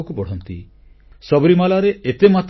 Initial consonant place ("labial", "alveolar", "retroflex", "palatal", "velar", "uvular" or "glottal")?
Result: velar